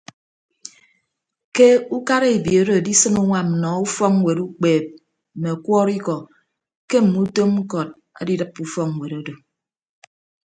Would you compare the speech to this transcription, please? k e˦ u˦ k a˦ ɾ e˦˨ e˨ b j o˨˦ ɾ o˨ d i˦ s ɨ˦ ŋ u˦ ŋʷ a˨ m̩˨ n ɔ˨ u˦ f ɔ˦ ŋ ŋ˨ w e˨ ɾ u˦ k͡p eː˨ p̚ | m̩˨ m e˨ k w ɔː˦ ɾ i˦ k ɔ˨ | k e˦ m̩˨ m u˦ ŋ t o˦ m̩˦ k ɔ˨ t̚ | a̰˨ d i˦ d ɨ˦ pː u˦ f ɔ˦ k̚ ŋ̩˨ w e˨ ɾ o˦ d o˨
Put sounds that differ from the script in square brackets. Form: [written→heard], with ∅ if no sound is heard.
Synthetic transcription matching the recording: k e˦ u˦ k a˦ ɾ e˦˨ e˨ b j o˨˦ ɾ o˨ d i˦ s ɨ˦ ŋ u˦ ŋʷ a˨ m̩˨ n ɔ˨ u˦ f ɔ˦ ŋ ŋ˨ w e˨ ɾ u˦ k͡p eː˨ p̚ | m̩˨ m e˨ k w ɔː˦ ɾ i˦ k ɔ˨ | k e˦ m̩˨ m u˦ [ŋ→∅] t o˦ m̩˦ k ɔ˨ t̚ | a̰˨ d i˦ d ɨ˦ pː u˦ f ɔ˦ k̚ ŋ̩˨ w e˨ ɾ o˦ d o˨